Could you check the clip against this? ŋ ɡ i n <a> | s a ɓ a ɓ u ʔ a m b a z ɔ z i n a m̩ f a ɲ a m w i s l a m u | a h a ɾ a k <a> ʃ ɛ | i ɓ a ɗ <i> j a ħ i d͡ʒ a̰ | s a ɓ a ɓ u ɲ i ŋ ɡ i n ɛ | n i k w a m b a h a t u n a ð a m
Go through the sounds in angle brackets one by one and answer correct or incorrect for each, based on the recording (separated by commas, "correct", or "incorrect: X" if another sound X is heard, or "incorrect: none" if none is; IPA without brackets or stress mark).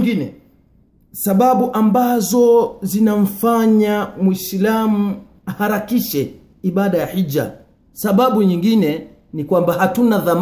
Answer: incorrect: ɛ, incorrect: i, incorrect: a